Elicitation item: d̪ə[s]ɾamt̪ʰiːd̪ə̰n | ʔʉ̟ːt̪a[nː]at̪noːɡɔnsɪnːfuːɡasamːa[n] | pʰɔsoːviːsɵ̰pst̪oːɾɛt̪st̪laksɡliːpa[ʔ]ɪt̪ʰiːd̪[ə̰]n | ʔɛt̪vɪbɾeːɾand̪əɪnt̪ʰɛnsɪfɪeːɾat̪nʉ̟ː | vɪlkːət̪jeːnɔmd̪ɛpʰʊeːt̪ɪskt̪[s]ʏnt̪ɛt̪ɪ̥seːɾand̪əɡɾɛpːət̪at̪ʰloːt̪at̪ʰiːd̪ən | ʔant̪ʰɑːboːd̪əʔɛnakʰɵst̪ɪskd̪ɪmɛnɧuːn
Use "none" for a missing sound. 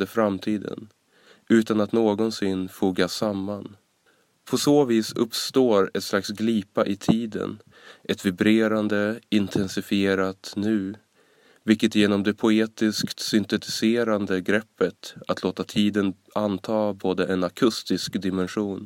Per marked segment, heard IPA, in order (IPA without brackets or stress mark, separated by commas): f, n, n, ʔ, ə̰, s